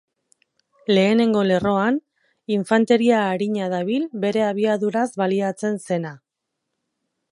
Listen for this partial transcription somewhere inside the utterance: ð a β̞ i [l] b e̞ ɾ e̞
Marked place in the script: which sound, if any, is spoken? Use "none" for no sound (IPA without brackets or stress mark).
l